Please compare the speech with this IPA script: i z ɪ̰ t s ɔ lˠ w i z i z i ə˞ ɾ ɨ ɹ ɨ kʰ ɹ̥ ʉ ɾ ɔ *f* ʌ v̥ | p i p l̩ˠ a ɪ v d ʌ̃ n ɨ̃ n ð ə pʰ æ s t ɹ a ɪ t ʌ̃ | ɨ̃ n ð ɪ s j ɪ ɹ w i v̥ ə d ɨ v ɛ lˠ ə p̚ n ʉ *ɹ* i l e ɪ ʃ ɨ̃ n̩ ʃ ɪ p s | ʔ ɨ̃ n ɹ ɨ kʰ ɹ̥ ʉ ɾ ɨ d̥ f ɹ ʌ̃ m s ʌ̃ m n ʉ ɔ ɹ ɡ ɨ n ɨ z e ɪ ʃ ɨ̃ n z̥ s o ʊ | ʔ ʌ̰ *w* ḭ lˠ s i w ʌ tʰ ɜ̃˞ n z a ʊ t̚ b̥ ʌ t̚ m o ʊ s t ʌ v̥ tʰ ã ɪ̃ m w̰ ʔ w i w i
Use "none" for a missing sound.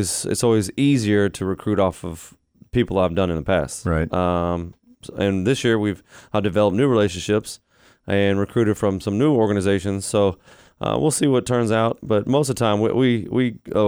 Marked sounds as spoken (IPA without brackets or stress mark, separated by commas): f, ɹ, w